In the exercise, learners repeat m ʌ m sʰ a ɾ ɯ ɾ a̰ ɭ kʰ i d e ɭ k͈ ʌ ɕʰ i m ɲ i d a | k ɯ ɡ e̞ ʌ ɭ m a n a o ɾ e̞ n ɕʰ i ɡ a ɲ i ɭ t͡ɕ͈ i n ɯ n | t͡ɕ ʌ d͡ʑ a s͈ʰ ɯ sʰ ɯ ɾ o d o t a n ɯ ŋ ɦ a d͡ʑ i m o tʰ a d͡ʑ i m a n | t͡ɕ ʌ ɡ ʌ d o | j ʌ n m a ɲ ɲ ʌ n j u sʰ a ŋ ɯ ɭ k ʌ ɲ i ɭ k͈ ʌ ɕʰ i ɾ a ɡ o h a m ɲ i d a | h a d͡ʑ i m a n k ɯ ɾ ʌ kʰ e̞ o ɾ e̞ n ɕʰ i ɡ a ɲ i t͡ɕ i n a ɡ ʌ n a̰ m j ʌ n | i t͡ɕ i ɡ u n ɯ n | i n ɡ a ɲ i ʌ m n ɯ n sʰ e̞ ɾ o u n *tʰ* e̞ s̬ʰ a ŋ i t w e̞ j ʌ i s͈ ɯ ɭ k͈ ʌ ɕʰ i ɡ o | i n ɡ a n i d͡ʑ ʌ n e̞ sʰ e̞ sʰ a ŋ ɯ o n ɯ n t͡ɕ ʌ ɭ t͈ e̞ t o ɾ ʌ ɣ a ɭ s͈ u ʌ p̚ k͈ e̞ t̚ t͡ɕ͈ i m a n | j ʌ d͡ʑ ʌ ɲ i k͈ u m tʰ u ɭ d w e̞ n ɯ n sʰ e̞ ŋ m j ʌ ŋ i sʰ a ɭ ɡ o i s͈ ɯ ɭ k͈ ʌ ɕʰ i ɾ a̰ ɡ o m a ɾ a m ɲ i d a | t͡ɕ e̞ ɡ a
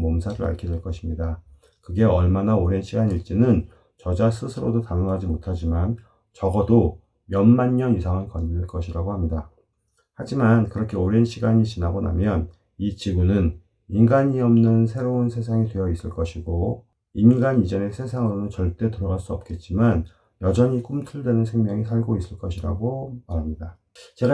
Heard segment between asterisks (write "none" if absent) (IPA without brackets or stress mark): sʰ